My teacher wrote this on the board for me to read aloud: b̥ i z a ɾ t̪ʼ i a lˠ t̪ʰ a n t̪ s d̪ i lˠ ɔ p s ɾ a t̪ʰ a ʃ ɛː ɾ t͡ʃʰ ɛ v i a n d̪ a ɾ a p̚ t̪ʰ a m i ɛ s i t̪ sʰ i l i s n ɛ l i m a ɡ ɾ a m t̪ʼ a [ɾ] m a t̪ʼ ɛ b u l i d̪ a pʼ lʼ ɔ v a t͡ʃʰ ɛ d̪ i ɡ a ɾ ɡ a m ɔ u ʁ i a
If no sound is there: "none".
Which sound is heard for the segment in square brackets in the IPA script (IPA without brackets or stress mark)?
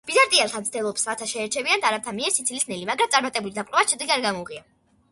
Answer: ɾ